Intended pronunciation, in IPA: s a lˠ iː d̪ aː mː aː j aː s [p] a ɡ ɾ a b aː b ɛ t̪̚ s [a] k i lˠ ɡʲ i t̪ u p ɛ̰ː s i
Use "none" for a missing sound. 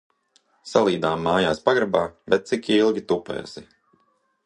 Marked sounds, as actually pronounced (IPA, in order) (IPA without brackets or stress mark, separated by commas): p, i